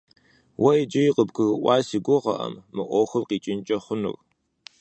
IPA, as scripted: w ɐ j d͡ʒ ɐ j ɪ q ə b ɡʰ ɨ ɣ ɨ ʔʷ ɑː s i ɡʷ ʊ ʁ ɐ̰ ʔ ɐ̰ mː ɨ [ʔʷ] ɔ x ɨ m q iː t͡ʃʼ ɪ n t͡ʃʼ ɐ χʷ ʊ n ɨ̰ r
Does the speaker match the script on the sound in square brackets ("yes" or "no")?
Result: yes